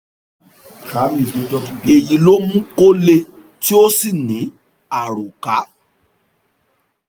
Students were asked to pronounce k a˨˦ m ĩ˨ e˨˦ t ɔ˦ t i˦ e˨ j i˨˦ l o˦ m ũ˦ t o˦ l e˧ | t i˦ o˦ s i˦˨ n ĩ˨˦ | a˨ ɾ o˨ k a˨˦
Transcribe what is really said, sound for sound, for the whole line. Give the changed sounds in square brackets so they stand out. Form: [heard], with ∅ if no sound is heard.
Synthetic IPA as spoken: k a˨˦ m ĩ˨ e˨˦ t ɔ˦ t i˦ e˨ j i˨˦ l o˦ m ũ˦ [k] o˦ l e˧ | t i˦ o˦ s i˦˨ n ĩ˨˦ | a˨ ɾ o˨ k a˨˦